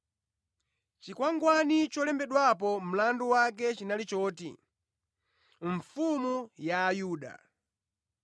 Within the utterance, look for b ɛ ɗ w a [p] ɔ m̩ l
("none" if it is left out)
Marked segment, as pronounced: p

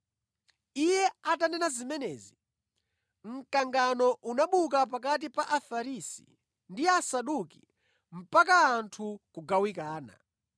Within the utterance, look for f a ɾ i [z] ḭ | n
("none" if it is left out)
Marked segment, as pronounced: s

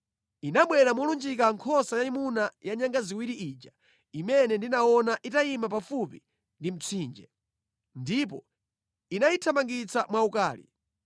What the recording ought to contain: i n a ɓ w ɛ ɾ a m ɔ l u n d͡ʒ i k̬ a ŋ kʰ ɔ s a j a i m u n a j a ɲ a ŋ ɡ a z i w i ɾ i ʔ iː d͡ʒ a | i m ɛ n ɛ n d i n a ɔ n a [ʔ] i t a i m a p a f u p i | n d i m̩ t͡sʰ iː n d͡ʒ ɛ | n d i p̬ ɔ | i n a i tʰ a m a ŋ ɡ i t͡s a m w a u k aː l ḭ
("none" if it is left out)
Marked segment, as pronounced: ʔ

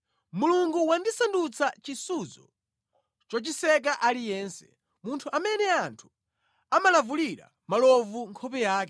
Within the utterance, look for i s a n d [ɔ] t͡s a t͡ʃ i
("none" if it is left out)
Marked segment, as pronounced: u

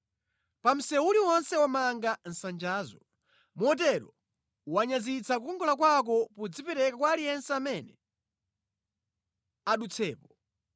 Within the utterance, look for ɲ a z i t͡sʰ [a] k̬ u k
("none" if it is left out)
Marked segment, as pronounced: a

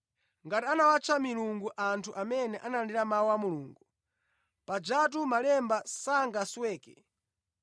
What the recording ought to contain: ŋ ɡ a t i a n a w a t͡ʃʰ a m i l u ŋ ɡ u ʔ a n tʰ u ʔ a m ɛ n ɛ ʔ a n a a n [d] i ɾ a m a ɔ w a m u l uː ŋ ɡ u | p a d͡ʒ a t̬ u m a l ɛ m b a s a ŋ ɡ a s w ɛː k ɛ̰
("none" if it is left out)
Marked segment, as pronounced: d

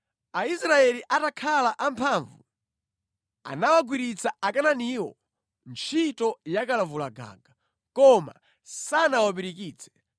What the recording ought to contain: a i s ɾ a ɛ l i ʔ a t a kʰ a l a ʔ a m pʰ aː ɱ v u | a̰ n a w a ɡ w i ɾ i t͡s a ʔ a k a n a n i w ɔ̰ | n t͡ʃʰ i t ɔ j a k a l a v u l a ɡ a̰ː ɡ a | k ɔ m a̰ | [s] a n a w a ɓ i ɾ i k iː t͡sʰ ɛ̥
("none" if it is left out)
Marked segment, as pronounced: s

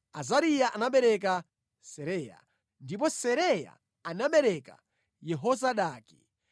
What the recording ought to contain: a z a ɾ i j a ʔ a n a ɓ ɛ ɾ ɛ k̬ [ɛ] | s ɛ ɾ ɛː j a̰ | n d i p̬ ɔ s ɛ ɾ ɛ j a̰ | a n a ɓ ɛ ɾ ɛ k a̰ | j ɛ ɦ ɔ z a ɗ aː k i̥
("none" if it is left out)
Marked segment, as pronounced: a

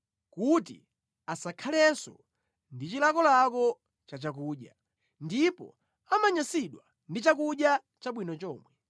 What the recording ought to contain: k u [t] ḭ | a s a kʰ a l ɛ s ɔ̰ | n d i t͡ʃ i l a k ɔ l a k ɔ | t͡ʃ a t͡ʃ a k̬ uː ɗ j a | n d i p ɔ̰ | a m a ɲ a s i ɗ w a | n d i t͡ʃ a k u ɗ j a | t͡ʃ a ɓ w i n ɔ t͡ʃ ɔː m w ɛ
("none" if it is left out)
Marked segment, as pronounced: t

